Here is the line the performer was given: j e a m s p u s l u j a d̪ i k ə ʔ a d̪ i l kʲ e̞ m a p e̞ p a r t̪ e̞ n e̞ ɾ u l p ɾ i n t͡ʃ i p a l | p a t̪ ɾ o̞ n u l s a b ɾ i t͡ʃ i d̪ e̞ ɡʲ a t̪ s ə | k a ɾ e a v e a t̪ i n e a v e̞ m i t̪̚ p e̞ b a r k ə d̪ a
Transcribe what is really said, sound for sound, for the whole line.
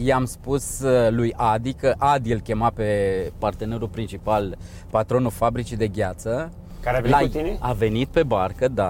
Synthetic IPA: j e a m s p u s l u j a d̪ i k ə ʔ a d̪ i l kʲ e̞ m a p e̞ p a r t̪ e̞ n e̞ ɾ u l p ɾ i n t͡ʃ i p a l | p a t̪ ɾ o̞ n u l f a b ɾ i t͡ʃ i d̪ e̞ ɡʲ a t̪ s ə | k a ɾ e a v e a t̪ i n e a v e̞ n i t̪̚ p e̞ b a r k ə d̪ a